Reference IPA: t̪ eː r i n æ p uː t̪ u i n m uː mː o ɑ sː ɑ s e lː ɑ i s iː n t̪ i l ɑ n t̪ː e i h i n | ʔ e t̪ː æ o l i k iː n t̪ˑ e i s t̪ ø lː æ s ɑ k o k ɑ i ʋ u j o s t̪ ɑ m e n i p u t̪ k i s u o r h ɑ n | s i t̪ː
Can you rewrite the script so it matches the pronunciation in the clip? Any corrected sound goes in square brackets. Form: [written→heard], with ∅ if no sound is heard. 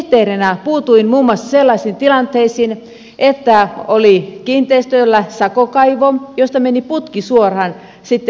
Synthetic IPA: t̪ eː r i n æ p uː t̪ u i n m uː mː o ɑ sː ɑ s e lː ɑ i s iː n t̪ i l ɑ n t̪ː e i [h→s] i n | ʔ e t̪ː æ o l i k iː n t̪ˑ e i s t̪ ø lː æ s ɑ k o k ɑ i ʋ [u→o] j o s t̪ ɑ m e n i p u t̪ k i s u o r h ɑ n | s i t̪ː